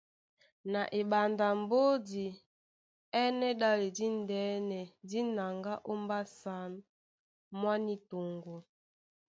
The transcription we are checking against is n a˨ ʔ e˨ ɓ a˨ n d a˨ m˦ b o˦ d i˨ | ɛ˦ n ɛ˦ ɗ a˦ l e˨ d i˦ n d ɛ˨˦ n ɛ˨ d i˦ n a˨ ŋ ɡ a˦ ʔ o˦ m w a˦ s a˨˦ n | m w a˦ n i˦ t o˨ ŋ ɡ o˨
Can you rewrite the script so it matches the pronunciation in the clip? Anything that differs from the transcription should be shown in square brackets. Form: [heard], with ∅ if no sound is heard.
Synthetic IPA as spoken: n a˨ ʔ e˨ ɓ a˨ n d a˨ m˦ b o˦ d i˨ | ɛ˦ n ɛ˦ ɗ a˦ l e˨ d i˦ n d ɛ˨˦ n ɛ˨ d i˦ n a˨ ŋ ɡ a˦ ʔ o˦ m [b] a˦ s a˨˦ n | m w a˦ n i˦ t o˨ ŋ ɡ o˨